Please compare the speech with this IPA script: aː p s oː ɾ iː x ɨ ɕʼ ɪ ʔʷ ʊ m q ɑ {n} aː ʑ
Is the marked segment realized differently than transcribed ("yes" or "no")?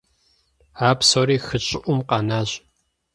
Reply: no